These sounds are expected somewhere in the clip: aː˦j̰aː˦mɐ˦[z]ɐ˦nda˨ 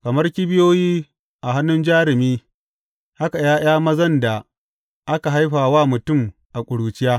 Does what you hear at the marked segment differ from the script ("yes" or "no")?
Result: no